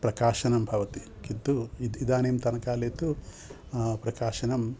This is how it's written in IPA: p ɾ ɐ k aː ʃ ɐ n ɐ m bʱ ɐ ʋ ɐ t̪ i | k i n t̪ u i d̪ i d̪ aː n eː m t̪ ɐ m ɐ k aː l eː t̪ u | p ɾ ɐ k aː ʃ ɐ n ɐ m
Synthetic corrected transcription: p ɾ ɐ k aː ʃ ɐ n ɐ m bʱ ɐ ʋ ɐ t̪ i | k i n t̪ u i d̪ i d̪ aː n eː m t̪ ɐ n ɐ k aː l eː t̪ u | p ɾ ɐ k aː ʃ ɐ n ɐ m